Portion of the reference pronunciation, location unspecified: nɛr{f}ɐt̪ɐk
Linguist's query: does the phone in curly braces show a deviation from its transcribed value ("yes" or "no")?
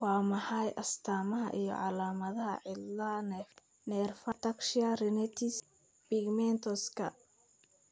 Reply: no